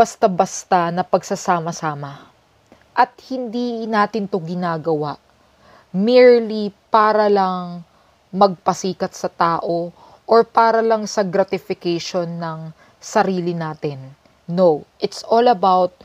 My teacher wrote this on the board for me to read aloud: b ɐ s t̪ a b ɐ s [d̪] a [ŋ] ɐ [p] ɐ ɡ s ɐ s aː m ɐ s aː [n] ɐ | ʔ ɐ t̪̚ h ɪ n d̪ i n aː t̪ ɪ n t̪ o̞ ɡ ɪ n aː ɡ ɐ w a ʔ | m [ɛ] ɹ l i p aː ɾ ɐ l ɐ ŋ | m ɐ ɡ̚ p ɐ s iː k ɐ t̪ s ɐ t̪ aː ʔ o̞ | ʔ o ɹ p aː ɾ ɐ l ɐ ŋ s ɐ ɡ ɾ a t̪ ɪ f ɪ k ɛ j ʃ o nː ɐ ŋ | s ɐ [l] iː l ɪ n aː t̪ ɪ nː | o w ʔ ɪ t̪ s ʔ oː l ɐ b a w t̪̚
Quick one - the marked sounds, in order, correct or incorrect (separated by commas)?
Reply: incorrect, incorrect, correct, incorrect, incorrect, incorrect